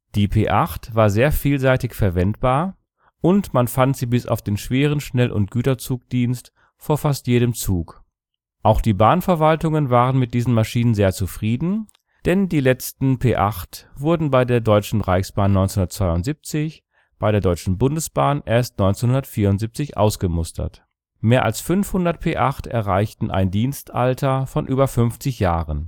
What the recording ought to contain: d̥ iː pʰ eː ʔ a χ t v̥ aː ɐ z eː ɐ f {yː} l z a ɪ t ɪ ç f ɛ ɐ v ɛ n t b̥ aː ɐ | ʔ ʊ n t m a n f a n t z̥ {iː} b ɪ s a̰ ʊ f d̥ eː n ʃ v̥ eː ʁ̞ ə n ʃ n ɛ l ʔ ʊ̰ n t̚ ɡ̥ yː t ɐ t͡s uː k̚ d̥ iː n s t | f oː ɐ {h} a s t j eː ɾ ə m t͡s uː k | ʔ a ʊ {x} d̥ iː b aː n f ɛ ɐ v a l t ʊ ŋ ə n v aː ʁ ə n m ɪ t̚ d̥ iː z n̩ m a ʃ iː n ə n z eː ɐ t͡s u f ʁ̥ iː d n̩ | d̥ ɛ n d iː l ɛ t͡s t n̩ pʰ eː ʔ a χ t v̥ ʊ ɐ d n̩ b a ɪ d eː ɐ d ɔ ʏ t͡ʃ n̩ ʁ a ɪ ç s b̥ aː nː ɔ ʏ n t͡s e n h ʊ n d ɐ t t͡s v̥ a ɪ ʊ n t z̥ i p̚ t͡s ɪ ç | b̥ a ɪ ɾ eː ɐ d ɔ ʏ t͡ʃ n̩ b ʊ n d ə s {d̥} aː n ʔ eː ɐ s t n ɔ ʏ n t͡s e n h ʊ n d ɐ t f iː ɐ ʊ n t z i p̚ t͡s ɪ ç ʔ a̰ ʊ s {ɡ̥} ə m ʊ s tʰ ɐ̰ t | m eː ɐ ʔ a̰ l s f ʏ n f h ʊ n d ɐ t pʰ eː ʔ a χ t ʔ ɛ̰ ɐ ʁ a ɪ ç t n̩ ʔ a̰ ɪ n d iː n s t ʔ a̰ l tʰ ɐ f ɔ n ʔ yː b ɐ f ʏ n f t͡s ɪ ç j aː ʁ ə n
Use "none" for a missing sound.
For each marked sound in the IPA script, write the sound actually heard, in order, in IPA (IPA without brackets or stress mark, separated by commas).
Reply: iː, iː, f, x, b̥, ɡ̥